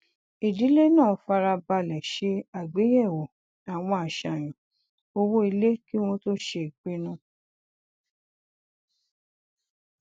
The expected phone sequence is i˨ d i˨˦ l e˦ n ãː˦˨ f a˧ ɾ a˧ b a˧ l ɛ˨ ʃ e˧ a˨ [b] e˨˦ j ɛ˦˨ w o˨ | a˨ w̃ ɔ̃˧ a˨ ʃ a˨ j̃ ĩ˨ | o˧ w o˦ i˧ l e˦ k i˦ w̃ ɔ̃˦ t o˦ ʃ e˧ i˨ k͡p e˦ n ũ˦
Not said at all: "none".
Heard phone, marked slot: ɡ͡b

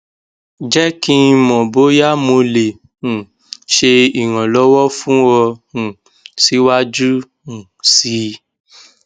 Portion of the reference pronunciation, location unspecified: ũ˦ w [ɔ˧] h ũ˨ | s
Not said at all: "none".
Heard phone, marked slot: ɔ˧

